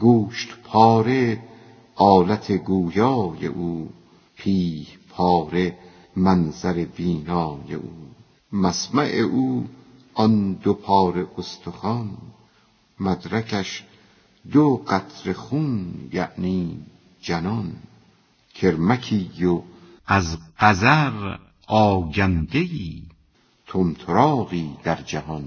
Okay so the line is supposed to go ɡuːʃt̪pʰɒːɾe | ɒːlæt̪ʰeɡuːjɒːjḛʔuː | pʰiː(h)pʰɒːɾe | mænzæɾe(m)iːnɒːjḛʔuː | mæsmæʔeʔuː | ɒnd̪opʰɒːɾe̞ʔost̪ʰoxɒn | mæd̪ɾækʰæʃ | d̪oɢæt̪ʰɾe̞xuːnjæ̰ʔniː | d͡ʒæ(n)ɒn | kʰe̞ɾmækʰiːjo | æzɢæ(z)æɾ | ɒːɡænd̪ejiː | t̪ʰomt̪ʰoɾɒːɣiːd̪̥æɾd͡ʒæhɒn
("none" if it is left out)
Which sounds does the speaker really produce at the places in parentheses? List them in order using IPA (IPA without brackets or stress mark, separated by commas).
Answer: h, b, n, z